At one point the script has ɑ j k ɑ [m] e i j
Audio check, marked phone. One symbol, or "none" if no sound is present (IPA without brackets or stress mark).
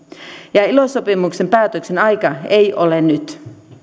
none